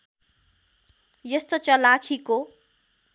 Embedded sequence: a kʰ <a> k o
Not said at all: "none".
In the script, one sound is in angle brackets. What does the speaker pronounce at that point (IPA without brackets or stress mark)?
i